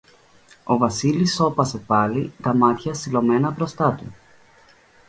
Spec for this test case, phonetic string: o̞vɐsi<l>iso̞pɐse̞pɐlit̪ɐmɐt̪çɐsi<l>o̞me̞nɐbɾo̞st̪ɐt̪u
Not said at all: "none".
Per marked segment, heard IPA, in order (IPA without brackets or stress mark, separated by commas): l, l